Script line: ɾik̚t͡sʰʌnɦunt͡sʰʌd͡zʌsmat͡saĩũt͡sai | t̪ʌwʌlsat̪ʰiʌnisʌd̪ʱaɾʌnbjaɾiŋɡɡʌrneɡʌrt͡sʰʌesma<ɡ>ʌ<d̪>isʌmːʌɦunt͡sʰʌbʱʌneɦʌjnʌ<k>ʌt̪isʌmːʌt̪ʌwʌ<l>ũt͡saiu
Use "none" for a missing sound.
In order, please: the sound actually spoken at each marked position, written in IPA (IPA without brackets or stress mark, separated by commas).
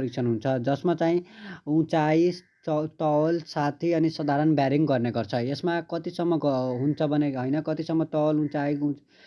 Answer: k, t̪, k, l